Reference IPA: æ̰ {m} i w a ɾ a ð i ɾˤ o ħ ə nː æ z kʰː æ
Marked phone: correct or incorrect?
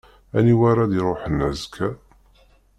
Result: incorrect